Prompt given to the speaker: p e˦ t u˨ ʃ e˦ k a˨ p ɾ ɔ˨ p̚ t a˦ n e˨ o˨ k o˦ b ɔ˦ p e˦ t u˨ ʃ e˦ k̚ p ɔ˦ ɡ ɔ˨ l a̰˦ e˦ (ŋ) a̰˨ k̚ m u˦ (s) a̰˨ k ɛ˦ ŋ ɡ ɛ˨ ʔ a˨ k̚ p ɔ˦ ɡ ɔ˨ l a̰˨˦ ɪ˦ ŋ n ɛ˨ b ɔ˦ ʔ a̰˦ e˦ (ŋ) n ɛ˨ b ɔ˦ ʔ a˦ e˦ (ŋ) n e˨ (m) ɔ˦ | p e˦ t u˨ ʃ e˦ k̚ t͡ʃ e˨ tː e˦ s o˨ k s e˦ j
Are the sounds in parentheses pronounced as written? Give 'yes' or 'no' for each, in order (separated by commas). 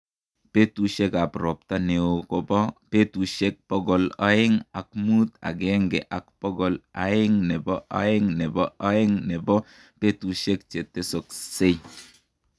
yes, no, yes, yes, no